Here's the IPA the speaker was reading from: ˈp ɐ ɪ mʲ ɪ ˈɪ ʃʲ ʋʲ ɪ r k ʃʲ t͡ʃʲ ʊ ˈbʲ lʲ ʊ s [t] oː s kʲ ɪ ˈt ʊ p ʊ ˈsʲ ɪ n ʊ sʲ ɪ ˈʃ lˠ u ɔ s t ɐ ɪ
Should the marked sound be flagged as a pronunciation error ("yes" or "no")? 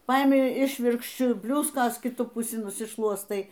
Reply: yes